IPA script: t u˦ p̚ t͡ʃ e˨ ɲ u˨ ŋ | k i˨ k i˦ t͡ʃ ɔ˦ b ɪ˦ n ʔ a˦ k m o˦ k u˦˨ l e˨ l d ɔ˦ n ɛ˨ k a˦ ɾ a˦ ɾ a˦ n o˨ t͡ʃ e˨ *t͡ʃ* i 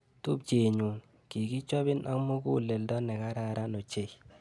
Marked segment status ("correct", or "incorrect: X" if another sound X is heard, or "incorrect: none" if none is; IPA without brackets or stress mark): incorrect: none